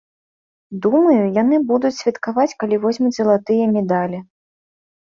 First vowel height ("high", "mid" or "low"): high